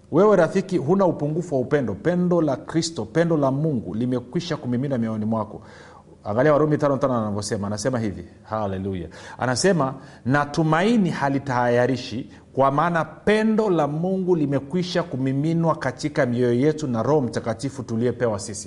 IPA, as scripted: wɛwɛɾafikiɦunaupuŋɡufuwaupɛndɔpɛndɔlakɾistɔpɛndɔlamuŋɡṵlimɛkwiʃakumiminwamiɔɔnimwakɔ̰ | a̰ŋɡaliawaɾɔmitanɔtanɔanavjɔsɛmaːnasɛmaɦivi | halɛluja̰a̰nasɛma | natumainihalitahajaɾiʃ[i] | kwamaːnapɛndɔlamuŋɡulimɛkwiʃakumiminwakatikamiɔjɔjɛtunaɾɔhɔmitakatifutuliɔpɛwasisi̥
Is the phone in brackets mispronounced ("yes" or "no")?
no